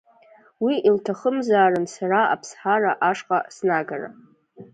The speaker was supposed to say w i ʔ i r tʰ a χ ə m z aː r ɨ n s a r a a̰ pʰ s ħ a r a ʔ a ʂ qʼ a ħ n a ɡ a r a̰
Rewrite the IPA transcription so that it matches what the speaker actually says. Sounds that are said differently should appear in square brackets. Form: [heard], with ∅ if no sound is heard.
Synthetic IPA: w i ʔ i [l] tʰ a χ ə m z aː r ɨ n s a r a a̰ pʰ s ħ a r a ʔ a ʂ qʼ a [s] n a ɡ a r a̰